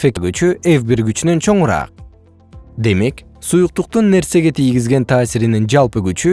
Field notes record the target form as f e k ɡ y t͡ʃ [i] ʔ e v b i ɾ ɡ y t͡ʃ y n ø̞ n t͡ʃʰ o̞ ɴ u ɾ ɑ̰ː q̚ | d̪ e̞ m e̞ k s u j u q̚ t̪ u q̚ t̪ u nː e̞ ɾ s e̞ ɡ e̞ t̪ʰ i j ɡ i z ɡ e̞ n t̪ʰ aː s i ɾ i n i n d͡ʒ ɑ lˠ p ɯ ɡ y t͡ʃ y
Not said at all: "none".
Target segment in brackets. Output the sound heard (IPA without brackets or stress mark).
y